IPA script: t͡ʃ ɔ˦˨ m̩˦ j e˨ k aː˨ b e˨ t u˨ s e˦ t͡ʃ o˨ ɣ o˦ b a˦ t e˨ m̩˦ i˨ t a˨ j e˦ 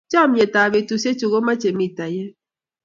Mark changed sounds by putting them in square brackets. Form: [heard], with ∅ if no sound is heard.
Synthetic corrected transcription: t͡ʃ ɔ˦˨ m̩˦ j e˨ [t] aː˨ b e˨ t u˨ s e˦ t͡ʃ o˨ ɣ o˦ [m] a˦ [t͡ʃ] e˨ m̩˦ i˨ t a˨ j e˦